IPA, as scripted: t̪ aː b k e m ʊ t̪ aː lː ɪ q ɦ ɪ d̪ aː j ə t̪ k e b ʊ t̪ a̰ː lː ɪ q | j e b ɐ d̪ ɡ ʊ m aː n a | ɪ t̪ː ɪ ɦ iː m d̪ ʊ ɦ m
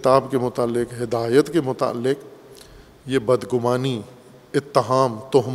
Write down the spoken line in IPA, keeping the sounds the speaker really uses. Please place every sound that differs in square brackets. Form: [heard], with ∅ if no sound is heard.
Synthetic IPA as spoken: t̪ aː b k e m ʊ t̪ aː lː ɪ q ɦ ɪ d̪ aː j ə t̪ k e [m] ʊ t̪ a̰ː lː ɪ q | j e b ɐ d̪ ɡ ʊ m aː n [i] | ɪ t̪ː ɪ ɦ [aː] m [t̪] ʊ ɦ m